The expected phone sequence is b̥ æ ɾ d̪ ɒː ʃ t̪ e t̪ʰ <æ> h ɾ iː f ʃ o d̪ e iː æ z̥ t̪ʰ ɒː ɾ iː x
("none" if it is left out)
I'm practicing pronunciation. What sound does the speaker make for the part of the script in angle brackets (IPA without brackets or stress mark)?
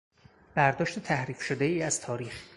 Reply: æ